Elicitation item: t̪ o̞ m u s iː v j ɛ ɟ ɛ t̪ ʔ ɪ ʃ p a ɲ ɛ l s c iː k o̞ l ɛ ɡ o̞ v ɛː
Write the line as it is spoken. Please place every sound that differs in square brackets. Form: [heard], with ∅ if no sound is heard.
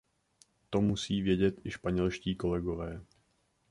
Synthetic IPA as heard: t̪ o̞ m u s iː v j ɛ ɟ ɛ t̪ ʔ ɪ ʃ p a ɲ ɛ l [ʃ] c iː k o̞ l ɛ ɡ o̞ v ɛː